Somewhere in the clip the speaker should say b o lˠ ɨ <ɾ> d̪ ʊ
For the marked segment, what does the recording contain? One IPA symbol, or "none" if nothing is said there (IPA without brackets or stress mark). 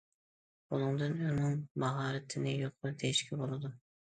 none